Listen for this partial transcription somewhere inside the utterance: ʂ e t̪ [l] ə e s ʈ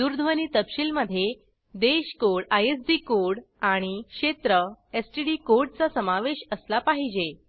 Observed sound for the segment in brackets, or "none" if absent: ɾ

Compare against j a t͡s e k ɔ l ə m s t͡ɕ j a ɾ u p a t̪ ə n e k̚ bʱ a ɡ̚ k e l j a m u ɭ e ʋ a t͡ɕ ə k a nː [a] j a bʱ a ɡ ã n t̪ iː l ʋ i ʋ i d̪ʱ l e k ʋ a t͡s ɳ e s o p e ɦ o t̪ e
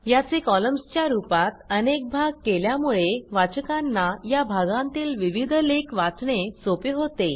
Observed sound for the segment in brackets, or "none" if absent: a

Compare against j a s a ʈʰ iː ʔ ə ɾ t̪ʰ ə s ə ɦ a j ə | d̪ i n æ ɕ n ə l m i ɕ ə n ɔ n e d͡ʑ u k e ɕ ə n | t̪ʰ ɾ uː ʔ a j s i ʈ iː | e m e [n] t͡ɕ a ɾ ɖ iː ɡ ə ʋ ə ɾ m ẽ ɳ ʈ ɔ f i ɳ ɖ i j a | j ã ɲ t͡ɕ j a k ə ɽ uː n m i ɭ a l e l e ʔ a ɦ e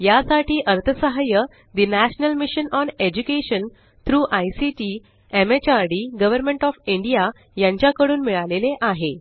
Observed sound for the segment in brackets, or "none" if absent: none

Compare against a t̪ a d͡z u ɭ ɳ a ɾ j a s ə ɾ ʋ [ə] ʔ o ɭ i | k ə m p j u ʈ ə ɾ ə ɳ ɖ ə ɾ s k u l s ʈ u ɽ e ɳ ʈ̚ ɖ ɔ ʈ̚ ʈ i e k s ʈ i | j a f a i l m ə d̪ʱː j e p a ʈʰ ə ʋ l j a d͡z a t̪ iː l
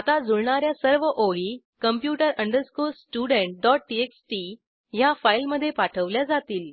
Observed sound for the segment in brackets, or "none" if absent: ə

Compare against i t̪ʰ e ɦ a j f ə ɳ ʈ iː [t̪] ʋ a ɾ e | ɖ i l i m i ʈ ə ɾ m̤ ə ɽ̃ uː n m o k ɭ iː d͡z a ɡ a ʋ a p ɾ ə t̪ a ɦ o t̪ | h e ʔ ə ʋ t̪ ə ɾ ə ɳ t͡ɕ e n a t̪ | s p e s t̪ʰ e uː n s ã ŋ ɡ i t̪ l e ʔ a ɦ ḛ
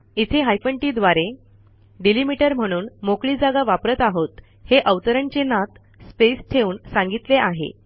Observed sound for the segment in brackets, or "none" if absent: d̪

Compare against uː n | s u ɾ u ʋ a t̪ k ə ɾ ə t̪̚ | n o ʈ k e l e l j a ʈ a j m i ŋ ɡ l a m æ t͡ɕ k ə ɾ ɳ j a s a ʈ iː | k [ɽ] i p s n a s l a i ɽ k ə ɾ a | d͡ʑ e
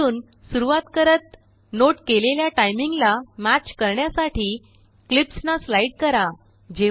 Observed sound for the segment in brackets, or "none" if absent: l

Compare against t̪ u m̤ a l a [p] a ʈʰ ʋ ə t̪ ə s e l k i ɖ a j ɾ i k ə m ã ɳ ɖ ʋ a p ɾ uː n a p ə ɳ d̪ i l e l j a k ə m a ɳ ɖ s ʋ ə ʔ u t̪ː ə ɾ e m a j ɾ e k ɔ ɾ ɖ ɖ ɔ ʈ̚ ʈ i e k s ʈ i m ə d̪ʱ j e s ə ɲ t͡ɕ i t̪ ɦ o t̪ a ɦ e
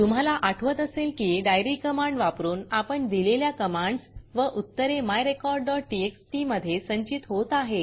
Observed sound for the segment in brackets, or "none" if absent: ʔ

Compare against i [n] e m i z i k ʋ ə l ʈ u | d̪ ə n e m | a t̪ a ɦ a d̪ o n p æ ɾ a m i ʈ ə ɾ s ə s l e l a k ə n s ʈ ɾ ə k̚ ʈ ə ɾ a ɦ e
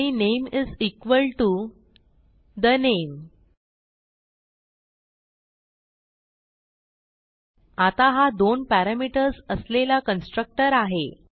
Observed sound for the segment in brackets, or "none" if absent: n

